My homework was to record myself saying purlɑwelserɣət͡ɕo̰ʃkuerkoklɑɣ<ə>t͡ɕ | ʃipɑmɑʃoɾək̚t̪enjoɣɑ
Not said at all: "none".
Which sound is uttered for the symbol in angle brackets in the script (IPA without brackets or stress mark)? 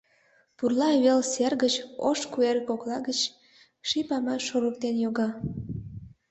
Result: ə